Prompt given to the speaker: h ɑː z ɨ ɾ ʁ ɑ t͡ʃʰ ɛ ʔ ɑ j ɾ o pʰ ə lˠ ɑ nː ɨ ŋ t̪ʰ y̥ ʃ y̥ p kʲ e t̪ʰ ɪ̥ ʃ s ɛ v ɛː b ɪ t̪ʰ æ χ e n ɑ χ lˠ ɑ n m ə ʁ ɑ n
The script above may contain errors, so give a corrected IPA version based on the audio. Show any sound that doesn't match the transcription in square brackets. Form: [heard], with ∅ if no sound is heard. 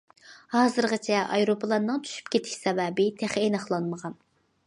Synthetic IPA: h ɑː z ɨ ɾ ʁ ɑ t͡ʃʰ ɛ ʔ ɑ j ɾ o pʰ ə lˠ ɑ nː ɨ ŋ t̪ʰ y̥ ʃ y̥ p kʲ e t̪ʰ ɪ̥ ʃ s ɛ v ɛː b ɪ t̪ʰ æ χ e n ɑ χ lˠ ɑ n m ə ʁ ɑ n